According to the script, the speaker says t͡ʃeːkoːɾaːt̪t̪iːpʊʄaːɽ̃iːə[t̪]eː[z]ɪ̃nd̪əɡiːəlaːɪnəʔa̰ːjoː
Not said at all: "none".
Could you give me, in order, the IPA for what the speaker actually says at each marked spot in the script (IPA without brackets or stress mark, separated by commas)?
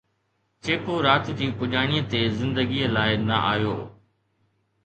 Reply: t̪, z